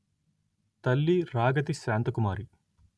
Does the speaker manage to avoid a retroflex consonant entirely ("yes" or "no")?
yes